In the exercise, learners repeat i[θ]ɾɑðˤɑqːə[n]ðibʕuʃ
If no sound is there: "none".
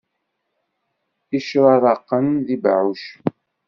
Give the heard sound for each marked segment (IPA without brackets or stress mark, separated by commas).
ʃ, n